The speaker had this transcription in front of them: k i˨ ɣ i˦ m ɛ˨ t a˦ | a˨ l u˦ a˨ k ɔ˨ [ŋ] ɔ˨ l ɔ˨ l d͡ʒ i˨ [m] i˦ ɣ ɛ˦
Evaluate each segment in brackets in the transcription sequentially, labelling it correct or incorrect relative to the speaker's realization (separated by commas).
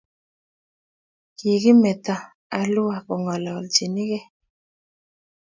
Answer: correct, incorrect